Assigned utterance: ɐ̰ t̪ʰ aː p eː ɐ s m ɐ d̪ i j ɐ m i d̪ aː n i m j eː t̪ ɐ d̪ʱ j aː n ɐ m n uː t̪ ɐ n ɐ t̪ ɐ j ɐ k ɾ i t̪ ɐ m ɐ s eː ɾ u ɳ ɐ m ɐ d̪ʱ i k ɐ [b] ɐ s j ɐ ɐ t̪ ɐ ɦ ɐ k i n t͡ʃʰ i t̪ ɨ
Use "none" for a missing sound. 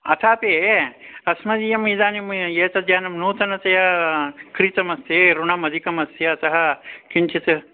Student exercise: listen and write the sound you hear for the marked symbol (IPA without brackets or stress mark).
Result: m